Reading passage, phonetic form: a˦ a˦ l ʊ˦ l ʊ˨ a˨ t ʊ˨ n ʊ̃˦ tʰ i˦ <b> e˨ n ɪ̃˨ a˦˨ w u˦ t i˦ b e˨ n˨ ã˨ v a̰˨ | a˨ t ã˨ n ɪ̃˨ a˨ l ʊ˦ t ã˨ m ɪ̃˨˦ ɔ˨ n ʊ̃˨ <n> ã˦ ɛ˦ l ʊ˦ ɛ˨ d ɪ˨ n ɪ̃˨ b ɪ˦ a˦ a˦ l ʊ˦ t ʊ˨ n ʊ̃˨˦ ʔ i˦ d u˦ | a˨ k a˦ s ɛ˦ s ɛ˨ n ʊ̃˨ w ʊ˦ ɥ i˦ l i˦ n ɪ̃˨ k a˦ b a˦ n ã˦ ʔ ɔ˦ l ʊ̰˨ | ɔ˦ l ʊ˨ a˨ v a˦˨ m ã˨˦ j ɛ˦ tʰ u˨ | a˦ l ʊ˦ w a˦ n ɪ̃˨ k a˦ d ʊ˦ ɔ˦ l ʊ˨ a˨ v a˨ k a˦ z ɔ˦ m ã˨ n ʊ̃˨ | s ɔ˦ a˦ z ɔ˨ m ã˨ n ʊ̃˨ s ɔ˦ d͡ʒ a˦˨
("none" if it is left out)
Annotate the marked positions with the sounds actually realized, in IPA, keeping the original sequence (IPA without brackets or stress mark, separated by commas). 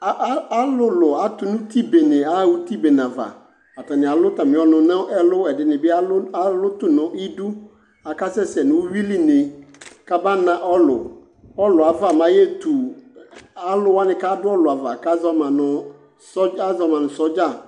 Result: b, n